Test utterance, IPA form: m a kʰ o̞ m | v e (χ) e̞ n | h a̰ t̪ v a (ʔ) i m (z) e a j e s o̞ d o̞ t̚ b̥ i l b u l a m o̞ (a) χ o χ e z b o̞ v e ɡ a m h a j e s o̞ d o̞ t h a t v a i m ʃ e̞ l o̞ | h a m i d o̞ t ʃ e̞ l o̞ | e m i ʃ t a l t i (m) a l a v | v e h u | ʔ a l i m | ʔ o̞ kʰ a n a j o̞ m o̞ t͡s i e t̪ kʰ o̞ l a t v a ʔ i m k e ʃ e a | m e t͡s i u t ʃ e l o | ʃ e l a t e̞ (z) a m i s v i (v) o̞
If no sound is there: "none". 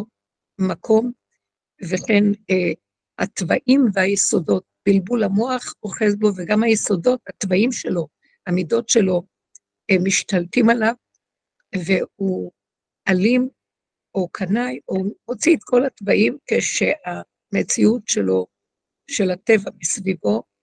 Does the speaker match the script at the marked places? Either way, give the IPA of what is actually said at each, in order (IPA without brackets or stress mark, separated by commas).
χ, ʔ, v, a, m, v, v